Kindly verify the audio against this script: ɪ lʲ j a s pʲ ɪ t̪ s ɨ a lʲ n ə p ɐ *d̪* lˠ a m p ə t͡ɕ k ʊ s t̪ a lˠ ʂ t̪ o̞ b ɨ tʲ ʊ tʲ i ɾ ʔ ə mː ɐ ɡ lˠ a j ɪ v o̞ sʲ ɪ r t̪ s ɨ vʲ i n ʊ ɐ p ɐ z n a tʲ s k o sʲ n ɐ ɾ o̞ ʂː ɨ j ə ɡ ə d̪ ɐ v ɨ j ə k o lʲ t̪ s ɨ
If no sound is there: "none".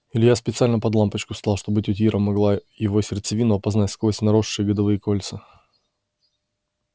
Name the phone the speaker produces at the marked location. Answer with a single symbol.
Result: d̪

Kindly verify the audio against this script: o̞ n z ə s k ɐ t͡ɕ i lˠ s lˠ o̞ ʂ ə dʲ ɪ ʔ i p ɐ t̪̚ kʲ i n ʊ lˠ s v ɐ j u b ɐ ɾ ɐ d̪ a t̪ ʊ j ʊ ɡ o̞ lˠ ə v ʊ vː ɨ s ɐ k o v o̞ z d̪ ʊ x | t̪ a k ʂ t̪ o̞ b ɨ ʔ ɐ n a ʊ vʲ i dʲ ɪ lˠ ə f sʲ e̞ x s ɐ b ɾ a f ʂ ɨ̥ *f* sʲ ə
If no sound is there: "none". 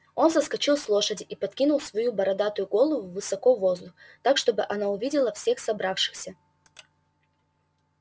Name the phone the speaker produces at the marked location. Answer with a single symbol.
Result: x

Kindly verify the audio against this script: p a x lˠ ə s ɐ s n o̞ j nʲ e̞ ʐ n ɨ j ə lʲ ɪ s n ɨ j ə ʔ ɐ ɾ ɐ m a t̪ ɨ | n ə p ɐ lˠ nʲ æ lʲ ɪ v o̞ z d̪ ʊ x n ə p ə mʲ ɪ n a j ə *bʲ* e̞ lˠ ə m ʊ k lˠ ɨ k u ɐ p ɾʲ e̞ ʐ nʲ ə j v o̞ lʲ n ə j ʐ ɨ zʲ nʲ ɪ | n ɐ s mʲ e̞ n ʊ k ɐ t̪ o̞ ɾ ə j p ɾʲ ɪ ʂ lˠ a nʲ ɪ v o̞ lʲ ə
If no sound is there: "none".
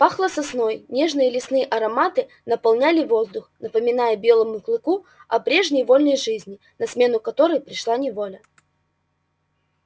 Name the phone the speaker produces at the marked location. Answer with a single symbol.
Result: bʲ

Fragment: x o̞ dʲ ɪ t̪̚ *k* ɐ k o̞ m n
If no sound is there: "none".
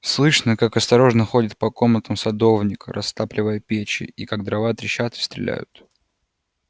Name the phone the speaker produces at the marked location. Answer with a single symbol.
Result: p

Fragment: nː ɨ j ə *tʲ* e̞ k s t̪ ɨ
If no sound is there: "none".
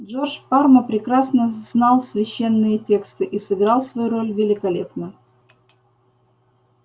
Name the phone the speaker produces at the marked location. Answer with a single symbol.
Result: tʲ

